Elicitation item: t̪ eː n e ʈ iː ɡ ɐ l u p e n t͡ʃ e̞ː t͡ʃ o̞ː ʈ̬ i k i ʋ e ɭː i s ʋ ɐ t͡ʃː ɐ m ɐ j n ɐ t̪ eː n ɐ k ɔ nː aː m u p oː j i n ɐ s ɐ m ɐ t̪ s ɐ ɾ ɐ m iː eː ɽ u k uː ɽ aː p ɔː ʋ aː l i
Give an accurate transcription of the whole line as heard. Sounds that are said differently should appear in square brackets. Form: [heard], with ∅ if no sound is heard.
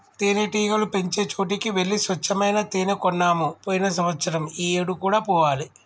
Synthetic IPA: t̪ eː n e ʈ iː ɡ ɐ l u p e [ɲ] t͡ʃ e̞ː t͡ʃ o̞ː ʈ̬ i k i ʋ e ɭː i s ʋ ɐ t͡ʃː ɐ m ɐ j n ɐ t̪ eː n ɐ k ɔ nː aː m u p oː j i n ɐ s ɐ m ɐ t̪ s ɐ ɾ ɐ m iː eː ɽ u k uː ɽ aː p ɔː ʋ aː l i